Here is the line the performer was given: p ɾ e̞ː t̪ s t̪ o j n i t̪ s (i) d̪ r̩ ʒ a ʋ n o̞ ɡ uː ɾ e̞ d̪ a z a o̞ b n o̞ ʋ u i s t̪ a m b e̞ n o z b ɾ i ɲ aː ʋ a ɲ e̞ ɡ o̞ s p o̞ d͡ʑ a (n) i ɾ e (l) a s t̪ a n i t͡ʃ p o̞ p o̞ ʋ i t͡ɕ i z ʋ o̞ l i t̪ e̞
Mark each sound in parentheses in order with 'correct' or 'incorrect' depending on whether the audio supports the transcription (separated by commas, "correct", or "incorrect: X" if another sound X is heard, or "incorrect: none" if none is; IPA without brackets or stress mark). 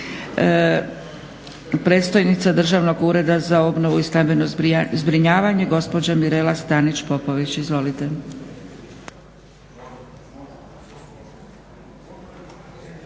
incorrect: a, incorrect: m, correct